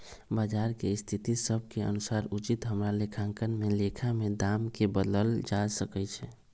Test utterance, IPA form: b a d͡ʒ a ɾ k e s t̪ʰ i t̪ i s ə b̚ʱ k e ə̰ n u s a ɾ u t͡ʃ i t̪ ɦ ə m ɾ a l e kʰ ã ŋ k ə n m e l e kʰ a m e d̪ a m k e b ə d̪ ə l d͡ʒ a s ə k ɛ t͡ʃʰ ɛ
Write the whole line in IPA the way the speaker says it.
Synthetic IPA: b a d͡ʒ a ɾ k e s t̪ʰ i t̪ i s ə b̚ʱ k e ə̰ n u s a ɾ u t͡ʃ i t̪ ɦ ə m ɾ a l e kʰ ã ŋ k ə n m e l e kʰ a m e d̪ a m k e b ə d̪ ə l d͡ʒ a s ə k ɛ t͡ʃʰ ɛ